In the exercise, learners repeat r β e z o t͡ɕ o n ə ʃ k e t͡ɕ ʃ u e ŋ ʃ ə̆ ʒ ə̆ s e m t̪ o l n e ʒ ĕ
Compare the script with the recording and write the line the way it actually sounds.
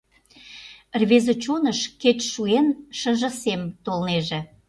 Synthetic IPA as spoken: r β e z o t͡ɕ o n ə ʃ k e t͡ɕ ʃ u e n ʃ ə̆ ʒ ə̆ s e m t̪ o l n e ʒ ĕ